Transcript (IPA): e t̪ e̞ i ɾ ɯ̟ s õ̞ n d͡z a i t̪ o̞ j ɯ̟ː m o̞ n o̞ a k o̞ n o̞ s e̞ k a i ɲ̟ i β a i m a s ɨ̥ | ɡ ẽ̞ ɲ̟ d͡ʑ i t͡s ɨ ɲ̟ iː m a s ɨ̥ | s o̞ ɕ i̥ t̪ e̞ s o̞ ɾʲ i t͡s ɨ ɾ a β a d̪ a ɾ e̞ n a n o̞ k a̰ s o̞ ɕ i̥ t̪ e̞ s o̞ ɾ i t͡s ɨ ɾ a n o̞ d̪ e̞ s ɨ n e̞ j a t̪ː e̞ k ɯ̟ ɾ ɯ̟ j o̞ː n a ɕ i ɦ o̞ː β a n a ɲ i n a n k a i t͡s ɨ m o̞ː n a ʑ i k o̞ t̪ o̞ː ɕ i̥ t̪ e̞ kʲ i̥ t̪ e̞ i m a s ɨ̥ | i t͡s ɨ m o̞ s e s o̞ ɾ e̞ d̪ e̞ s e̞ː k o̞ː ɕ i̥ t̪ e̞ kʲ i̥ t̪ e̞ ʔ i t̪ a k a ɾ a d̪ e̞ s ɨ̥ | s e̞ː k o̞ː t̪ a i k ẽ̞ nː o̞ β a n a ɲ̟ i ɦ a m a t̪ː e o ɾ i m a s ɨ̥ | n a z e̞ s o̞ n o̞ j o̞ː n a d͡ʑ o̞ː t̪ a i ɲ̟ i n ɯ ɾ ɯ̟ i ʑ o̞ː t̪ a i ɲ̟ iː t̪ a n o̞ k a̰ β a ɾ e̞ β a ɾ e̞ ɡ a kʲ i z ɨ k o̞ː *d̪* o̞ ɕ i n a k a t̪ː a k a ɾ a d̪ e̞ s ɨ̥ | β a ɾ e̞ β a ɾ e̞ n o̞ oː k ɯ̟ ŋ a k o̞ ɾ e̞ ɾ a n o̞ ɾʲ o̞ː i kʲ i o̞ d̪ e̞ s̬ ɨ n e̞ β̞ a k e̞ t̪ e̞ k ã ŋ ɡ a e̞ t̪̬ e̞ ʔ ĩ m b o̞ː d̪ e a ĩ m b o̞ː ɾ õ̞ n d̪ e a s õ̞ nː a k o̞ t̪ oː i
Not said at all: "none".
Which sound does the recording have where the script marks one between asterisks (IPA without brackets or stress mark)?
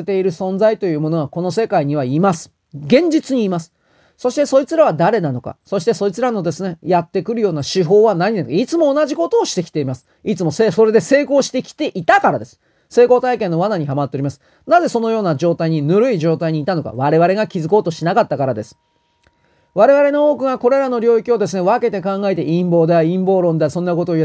t̪